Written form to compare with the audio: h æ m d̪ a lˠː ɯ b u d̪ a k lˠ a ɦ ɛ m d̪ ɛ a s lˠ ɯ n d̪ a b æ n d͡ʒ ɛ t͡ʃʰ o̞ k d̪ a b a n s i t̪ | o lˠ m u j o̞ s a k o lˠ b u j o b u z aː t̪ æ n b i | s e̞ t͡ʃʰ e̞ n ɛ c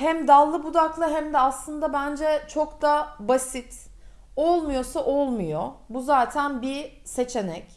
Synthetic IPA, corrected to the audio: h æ m d̪ a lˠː ɯ b u d̪ a k lˠ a ɦ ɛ m d̪ ɛ a s lˠ ɯ n d̪ a b æ n d͡ʒ ɛ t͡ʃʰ o̞ k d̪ a b a s i t̪ | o lˠ m u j o̞ s a ʔ o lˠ m u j o b u z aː t̪ʰ æ n b i | s e̞ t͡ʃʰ e̞ n ɛ c